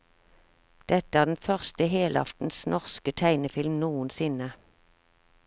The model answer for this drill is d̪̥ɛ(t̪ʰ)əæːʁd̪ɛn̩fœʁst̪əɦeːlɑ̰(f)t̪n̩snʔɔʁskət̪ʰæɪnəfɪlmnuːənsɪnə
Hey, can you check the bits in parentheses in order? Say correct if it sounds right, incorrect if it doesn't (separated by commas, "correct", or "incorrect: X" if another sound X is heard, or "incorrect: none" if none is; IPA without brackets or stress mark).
incorrect: t̪, correct